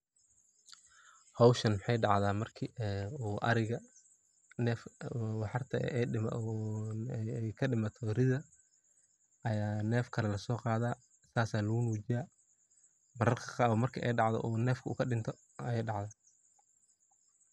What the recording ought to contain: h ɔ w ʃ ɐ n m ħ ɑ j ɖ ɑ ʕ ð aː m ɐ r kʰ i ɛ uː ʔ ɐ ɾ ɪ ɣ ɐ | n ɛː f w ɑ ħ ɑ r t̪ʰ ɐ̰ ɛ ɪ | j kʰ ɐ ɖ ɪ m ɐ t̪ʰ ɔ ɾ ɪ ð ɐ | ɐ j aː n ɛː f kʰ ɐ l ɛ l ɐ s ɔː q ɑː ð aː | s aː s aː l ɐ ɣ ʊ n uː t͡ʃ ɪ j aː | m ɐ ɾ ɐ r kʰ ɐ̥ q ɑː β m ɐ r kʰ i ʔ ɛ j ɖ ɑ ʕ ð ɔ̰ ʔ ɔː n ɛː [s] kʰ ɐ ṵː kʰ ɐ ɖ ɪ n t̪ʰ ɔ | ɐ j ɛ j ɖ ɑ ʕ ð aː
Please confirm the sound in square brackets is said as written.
no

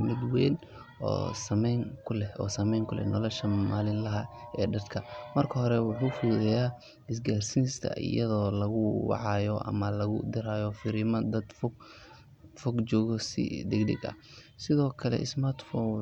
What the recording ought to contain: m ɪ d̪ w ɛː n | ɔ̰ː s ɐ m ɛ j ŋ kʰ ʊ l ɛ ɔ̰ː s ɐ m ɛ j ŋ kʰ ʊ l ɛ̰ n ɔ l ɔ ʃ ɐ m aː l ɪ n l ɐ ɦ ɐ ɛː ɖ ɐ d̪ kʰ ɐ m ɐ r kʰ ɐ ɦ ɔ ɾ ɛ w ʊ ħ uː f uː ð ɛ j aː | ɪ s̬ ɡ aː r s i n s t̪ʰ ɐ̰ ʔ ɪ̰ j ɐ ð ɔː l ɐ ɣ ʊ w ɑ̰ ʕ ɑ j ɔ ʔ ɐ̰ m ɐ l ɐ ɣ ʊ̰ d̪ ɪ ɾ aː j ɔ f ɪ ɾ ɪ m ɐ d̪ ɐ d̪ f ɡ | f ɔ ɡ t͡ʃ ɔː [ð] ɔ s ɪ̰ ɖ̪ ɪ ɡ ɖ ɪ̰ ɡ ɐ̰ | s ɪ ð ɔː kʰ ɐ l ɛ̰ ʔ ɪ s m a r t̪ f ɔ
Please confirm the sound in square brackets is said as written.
no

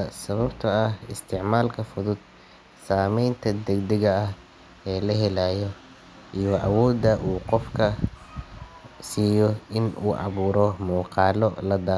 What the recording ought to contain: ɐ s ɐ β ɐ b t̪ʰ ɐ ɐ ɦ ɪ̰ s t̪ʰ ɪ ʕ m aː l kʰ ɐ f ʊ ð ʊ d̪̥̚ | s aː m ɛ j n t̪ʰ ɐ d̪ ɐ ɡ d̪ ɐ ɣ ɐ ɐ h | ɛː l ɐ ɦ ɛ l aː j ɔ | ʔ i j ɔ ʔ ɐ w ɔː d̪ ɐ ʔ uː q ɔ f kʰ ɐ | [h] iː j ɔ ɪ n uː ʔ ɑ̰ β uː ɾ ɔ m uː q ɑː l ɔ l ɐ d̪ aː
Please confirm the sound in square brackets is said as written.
no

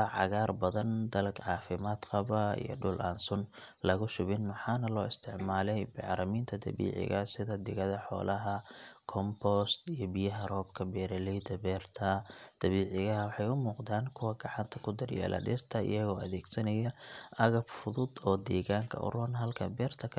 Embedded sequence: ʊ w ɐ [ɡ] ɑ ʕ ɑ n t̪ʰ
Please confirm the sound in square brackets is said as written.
yes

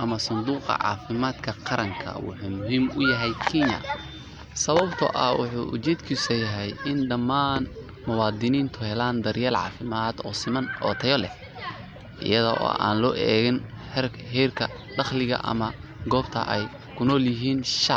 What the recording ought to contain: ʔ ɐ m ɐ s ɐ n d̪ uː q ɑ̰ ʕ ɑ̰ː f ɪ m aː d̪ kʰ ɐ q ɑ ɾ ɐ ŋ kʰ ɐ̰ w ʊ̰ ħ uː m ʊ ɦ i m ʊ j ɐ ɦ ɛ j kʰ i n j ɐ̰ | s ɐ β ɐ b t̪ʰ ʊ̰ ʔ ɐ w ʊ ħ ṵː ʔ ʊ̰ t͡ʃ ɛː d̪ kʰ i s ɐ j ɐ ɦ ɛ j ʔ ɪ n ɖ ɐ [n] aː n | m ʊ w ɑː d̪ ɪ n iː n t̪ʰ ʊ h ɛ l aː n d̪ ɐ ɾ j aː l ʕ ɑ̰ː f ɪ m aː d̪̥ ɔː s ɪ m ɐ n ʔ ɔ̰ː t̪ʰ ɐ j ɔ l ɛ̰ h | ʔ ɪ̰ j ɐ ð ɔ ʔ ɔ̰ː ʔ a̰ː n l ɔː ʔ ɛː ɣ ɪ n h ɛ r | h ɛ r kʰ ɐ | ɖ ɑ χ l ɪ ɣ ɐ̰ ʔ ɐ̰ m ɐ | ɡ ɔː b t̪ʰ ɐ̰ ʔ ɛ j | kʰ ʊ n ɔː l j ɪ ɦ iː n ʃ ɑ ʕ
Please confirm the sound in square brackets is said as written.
no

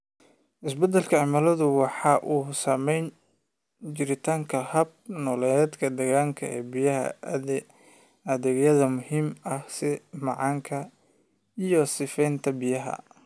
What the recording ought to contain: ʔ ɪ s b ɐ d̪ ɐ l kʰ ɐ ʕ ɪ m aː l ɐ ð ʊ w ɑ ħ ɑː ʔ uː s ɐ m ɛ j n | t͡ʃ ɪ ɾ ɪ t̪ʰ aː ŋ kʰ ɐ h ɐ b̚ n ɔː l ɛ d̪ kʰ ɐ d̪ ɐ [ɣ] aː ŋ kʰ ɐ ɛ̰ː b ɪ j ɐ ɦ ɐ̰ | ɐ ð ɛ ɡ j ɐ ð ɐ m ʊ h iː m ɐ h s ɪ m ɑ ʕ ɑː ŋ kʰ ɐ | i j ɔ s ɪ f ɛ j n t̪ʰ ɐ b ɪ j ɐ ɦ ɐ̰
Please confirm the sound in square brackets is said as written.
yes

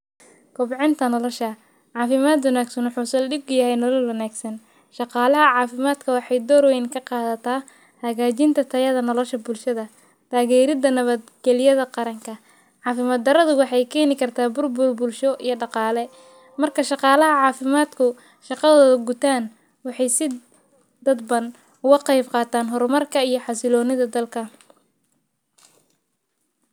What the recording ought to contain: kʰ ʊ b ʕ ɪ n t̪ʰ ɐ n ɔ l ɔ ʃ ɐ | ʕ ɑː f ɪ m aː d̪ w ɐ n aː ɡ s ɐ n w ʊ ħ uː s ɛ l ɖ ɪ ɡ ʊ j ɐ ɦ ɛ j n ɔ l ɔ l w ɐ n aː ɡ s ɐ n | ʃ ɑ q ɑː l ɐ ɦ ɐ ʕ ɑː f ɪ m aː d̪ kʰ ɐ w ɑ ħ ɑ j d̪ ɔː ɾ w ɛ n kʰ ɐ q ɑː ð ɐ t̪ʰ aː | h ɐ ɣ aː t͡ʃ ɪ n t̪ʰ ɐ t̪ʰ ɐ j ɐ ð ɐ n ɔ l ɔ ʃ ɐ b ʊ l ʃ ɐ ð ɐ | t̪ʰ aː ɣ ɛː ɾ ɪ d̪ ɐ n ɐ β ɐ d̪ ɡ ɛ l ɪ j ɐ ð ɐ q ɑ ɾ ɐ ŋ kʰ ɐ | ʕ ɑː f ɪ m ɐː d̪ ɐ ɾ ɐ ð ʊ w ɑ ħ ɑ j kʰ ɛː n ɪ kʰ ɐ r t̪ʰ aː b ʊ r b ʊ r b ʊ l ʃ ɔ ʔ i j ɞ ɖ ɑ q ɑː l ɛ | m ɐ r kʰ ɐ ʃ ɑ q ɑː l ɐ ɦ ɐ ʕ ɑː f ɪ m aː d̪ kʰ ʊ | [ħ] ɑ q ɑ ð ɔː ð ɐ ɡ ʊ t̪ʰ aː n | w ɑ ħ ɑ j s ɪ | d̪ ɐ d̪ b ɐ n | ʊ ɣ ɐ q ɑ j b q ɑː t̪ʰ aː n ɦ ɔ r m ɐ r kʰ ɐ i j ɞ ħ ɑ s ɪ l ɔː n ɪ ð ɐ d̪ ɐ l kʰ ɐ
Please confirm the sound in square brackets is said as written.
no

